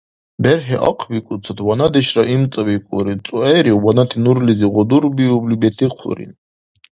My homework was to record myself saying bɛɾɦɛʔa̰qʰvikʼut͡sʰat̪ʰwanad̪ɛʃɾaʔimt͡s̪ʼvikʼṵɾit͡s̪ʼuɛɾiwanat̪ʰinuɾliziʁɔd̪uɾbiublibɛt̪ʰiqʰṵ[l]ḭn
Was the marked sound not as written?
yes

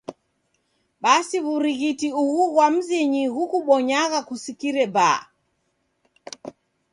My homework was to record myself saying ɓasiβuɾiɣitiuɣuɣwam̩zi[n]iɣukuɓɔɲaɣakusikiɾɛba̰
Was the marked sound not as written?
yes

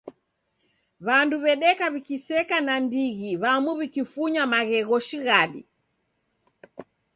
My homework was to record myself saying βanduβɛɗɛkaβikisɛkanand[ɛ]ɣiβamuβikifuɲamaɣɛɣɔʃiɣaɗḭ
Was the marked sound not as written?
yes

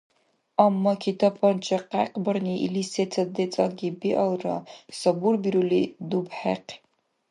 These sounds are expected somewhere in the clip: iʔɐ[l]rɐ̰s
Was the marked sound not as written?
no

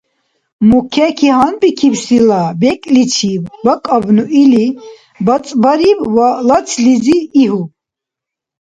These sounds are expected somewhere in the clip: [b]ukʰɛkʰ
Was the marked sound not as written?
yes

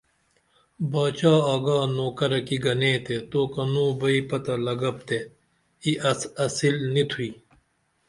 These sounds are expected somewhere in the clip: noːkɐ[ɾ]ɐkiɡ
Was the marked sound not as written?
no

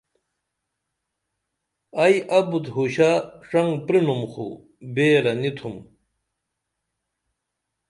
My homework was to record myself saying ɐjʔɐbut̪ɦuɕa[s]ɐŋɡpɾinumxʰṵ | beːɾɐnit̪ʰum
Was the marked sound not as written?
yes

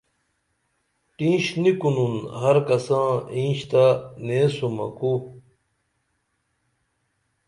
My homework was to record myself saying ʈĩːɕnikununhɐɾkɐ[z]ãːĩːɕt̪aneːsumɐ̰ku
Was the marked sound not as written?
yes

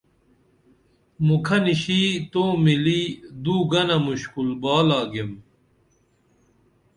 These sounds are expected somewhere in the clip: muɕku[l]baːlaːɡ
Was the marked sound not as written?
no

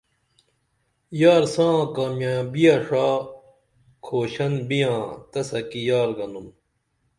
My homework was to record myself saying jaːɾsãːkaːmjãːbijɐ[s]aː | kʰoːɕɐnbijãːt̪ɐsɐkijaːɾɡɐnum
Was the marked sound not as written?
yes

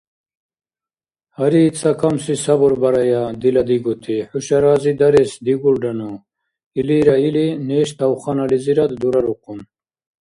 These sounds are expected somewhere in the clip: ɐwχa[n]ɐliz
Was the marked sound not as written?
no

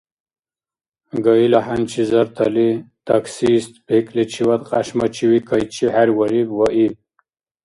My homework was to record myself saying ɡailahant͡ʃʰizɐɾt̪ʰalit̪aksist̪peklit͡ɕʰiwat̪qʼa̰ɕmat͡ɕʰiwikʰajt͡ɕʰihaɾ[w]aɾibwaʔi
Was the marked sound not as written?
no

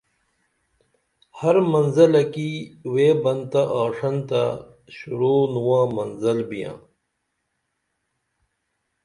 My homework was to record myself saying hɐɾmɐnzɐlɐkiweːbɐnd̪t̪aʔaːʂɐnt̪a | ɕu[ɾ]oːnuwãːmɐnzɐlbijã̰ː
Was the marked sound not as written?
no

